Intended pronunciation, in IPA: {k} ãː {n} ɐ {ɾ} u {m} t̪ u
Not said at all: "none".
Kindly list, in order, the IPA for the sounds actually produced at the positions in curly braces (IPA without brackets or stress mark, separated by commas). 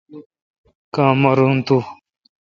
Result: k, m, ɾ, n